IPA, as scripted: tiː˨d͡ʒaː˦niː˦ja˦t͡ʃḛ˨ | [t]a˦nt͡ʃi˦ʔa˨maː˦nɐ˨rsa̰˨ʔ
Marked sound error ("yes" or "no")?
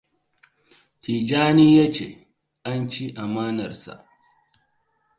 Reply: yes